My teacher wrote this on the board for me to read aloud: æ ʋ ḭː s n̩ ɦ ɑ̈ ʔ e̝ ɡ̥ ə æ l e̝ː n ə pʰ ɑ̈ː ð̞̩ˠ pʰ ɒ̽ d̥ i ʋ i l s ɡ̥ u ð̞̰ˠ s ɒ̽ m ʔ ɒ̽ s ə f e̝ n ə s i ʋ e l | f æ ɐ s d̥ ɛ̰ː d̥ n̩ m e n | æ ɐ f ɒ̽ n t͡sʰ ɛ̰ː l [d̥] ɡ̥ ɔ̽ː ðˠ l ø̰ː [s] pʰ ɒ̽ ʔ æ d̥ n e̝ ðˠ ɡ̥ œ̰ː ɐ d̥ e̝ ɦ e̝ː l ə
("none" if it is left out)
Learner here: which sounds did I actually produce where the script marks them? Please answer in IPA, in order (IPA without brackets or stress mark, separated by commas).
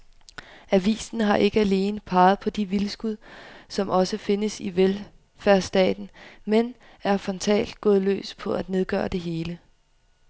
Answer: d̥, s